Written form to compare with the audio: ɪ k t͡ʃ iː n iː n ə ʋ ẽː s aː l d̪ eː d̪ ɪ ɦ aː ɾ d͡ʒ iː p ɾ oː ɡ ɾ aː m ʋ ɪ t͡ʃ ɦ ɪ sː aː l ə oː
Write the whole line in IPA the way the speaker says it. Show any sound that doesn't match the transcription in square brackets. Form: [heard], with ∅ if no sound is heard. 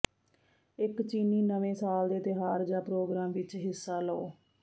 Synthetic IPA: ɪ k t͡ʃ iː n iː n ə ʋ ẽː s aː l d̪ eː [t̪] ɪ ɦ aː ɾ d͡ʒ [aː] p ɾ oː ɡ ɾ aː m ʋ ɪ t͡ʃ ɦ ɪ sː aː l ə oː